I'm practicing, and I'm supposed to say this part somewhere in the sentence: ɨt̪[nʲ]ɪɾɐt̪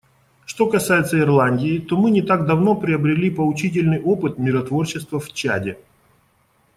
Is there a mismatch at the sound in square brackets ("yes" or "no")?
yes